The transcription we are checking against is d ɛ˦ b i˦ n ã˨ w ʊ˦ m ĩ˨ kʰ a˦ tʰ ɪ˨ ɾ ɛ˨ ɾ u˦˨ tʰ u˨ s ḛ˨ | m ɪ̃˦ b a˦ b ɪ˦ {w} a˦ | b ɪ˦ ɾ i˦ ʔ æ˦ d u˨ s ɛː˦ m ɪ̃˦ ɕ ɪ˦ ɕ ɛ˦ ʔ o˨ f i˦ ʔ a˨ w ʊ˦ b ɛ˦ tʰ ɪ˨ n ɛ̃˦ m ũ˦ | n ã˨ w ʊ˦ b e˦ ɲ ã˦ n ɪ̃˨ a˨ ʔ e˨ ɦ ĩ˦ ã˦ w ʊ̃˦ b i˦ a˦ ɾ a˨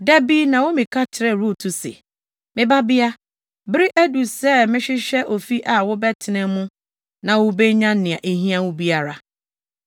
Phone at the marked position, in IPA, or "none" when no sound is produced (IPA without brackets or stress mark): none